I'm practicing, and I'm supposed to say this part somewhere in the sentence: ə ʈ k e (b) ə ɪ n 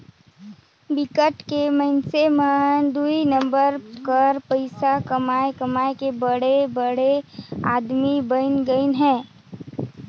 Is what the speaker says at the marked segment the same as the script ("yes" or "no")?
no